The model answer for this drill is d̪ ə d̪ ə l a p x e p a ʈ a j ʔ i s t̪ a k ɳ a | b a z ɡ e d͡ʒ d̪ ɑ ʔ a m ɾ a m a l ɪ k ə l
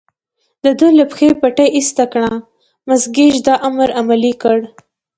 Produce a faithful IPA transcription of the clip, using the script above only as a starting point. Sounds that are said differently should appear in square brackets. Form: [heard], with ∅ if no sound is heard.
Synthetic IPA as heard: d̪ ə d̪ ə l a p x e p a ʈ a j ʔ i s t̪ a k ɳ a | [m] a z ɡ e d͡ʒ d̪ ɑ ʔ a m ɾ a m a l [i] k ə [ɽ]